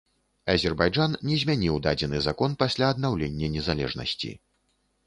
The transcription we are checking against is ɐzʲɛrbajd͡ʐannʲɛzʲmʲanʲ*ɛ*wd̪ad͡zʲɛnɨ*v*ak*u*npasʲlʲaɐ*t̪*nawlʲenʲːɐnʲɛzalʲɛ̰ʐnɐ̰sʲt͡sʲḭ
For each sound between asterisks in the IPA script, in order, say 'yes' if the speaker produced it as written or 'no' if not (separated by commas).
no, no, no, no